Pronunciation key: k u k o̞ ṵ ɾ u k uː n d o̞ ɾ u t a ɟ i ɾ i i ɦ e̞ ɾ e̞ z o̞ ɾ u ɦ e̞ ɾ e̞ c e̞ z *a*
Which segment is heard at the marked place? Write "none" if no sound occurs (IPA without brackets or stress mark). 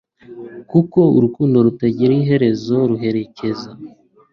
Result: a